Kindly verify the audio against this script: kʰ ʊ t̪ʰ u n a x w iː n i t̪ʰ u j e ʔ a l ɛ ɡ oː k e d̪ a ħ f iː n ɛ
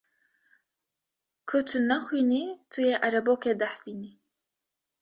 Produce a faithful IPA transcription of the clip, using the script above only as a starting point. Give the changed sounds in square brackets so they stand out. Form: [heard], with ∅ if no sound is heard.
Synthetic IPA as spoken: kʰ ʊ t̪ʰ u n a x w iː n i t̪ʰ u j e ʔ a [ɾ] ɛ [b] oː k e d̪ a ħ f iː n [i]